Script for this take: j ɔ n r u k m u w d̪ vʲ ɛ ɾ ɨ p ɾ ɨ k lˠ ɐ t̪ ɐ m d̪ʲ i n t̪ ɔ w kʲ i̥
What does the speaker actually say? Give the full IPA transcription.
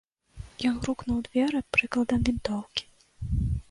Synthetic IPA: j ɔ n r u k n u w d̪ vʲ ɛ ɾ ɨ p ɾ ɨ k lˠ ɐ d̪ ɐ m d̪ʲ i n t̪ ɔ w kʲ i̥